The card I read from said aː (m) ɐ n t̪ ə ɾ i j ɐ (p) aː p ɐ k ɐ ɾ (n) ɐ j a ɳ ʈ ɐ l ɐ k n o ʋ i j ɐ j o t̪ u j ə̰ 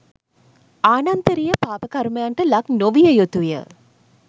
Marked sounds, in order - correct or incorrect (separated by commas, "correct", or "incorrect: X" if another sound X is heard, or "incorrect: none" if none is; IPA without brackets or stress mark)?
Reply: incorrect: n, correct, incorrect: m